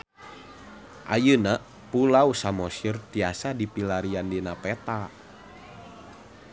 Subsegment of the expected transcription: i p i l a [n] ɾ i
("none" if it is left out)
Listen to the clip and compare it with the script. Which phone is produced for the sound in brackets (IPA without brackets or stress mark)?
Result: none